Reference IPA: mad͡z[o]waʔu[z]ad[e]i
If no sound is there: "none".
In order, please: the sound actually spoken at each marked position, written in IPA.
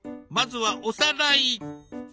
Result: u, s, a

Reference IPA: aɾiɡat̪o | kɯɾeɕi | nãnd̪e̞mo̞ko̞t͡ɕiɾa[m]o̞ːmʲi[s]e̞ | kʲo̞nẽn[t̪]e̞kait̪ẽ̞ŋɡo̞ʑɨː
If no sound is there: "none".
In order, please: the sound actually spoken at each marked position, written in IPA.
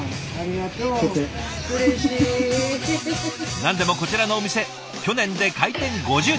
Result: n, s, d̪

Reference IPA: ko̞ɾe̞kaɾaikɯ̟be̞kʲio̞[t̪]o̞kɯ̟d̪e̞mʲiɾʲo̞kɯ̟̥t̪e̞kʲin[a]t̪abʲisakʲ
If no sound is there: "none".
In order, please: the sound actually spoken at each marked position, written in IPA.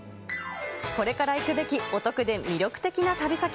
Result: t̪, a

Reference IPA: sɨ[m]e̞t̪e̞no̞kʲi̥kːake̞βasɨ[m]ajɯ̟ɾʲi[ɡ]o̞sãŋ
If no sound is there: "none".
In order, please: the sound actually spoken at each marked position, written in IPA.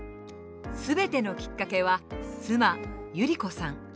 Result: b, m, k

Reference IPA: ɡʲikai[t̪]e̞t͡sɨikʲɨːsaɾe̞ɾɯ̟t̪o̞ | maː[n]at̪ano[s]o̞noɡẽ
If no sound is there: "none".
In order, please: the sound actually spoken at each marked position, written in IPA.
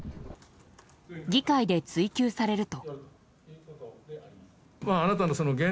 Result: d̪, n, s

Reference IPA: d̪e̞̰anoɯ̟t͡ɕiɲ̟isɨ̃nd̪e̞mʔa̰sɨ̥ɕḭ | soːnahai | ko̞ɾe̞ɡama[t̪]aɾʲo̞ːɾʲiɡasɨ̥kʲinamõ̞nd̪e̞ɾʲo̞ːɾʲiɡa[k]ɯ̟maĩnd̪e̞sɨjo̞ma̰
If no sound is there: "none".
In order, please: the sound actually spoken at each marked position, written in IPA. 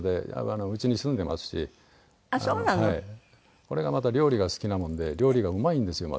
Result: t̪, none

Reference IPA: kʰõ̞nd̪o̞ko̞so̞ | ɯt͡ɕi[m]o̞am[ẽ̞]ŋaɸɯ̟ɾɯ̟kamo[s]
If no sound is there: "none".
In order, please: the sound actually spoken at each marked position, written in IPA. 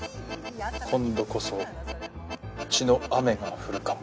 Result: n, e̞, none

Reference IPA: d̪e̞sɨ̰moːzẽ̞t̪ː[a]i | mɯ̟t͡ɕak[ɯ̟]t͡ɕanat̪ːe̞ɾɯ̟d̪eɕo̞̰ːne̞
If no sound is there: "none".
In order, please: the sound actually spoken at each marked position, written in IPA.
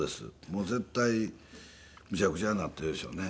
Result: a, ɯ̟

